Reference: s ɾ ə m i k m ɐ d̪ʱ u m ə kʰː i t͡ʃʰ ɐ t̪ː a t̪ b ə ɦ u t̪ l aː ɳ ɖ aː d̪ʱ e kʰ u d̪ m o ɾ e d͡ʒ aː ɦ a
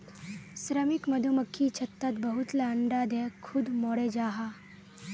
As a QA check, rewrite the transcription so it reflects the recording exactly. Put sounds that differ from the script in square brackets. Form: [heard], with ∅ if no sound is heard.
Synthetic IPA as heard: s ɾ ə m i k m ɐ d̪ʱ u m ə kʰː i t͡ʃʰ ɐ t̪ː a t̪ b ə ɦ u t̪ l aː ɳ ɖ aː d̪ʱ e kʰ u d̪ m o [ɽ] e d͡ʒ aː ɦ a